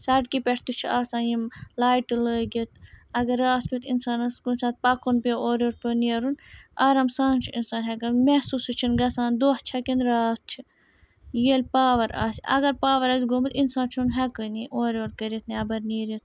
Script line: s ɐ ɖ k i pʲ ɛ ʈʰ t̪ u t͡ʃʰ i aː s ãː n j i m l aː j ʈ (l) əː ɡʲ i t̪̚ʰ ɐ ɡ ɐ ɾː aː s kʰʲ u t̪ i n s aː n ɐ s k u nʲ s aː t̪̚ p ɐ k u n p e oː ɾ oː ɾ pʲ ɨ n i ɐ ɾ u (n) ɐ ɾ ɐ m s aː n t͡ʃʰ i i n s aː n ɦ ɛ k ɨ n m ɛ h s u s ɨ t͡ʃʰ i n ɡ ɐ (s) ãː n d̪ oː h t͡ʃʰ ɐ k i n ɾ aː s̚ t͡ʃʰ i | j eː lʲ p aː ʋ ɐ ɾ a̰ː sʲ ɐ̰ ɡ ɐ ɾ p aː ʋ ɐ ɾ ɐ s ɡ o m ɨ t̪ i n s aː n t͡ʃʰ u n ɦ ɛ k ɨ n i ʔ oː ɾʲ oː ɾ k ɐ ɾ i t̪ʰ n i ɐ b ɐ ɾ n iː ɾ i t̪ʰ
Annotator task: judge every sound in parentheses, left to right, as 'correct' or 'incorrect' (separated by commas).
correct, correct, correct